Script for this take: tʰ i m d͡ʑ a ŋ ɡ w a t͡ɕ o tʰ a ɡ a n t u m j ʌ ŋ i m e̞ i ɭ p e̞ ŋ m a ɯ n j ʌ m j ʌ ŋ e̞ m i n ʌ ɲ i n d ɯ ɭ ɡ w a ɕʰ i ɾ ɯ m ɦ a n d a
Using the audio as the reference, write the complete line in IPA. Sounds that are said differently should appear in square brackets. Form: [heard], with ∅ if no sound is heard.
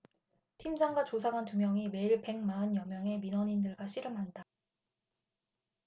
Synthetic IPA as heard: tʰ i m d͡ʑ a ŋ ɡ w a t͡ɕ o [sʰ] a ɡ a n t u m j ʌ ŋ i m e̞ i ɭ p e̞ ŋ m a ɯ n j ʌ m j ʌ ŋ e̞ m i n ʌ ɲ i n d ɯ ɭ ɡ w a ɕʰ i ɾ ɯ m ɦ a n d a